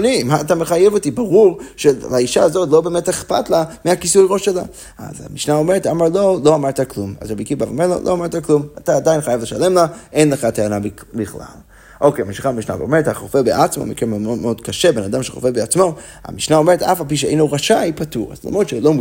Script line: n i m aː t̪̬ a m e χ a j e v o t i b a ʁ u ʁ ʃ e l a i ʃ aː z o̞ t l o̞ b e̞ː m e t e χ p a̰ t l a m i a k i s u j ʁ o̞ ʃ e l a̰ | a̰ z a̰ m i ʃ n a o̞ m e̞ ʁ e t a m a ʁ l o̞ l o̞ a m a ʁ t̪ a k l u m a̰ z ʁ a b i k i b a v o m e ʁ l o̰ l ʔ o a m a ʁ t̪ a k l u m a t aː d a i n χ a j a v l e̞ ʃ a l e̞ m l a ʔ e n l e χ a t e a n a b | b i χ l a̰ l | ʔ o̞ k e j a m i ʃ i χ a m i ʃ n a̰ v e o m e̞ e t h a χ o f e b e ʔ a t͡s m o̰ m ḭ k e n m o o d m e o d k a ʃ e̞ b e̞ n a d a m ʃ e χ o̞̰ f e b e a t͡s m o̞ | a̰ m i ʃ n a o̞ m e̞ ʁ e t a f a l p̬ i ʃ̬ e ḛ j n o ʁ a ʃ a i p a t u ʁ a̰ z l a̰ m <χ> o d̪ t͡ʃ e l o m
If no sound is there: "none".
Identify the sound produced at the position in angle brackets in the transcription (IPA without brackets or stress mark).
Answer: ʁ